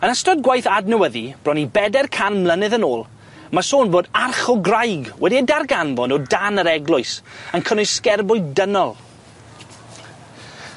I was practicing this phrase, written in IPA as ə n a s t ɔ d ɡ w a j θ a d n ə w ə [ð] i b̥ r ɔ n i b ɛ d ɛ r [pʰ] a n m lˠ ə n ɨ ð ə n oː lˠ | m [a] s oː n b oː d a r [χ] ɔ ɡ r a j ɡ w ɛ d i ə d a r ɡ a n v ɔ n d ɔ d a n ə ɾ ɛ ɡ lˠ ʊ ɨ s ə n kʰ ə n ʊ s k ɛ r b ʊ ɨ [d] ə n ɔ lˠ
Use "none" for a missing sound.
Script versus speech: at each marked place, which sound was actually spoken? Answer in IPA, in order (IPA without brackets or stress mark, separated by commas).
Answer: ð, kʰ, a, χ, d